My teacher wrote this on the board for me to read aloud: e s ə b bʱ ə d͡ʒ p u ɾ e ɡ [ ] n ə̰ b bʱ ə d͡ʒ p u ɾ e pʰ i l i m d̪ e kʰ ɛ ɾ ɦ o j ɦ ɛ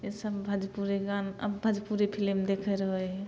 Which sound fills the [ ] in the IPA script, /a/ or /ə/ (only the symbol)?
a